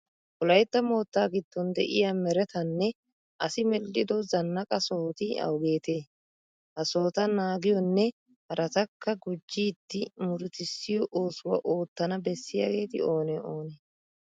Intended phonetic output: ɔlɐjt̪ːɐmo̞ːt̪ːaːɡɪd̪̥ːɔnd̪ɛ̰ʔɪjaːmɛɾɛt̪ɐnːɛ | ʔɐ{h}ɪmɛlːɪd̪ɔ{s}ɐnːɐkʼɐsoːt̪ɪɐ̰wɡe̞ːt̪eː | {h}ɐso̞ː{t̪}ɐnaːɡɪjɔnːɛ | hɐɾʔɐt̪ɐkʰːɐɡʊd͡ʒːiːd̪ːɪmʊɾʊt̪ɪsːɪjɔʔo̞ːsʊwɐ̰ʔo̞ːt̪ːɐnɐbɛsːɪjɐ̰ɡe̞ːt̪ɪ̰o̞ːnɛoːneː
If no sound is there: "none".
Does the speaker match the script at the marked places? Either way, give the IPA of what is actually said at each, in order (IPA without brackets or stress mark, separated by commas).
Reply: s, z, h, t̪